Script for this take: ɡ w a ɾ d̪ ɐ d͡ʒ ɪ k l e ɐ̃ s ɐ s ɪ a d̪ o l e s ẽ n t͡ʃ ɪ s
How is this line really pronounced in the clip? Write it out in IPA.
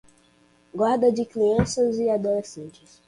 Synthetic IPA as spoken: ɡ w a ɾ d̪ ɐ d͡ʒ ɪ k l i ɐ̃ s ɐ z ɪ a d̪ o l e s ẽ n t͡ʃ ɪ s